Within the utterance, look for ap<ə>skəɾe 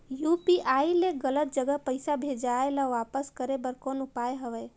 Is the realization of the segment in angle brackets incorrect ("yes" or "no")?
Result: no